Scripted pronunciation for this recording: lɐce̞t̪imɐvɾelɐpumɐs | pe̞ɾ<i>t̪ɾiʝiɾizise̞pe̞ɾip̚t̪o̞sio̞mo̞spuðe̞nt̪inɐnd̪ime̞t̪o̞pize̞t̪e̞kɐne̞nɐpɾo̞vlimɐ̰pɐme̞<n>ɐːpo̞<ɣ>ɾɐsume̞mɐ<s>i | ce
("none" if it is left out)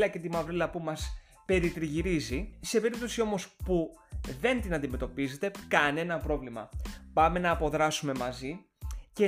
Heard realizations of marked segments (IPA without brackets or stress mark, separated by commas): i, n, ð, z